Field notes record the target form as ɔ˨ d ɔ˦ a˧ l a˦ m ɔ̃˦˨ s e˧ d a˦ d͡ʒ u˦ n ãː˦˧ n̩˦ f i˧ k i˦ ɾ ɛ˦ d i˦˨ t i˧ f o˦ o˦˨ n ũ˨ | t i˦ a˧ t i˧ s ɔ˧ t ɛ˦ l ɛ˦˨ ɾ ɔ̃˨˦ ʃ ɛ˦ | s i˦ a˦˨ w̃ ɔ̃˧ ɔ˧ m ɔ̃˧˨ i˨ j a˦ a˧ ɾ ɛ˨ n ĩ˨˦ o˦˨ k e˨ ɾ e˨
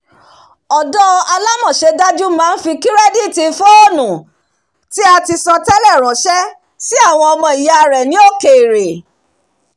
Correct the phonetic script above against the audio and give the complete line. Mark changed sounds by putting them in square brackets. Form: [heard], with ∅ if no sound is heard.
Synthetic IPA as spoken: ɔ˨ d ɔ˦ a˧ l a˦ m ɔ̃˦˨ [ʃ] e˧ d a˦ d͡ʒ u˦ [m] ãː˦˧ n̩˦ f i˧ k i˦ ɾ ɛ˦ d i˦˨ t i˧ f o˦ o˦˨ n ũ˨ | t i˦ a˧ t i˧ s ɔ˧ t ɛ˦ l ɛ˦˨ ɾ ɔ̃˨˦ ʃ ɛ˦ | s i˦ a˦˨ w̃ ɔ̃˧ ɔ˧ m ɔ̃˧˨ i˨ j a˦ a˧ ɾ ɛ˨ n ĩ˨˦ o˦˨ k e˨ ɾ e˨